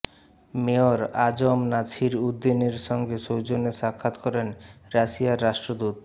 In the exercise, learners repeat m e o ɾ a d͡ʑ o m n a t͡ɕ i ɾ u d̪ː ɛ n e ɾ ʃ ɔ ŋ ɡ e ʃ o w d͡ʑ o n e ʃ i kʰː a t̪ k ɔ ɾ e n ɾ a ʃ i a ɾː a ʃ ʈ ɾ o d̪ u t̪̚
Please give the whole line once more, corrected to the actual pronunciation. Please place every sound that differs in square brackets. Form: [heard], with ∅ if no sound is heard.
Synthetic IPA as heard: m e o ɾ a d͡ʑ o m n a [t͡ɕʰ] i ɾ u d̪ː [i] n e ɾ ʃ ɔ ŋ ɡ e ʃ o w d͡ʑ o n e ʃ [a] kʰː a t̪ k ɔ ɾ e n ɾ a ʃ i a ɾː a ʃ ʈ ɾ o d̪ u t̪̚